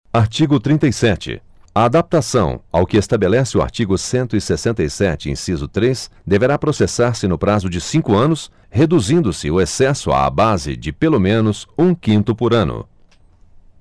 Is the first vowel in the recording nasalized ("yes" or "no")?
no